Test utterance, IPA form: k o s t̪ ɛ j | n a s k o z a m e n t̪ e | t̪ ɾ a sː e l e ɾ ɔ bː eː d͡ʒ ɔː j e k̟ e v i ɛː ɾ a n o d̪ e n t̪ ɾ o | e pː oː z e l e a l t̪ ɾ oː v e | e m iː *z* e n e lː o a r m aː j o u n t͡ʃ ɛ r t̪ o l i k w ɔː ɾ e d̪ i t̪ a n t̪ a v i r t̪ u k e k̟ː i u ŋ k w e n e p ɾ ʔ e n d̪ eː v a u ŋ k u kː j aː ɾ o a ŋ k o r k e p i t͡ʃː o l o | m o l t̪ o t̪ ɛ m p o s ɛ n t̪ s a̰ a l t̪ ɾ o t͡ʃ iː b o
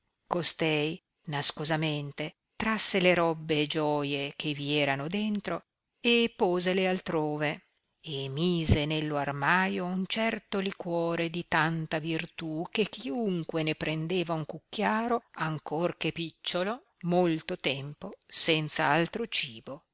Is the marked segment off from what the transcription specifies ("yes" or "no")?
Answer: no